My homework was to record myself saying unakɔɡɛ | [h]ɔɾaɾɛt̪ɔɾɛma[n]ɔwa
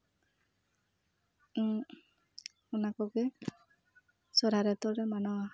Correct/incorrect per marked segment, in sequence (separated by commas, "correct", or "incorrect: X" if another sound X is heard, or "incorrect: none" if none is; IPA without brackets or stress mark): incorrect: s, correct